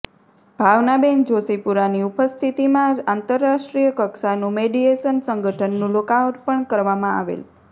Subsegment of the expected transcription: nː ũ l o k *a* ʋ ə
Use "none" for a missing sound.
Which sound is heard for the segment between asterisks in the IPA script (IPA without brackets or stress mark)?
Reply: a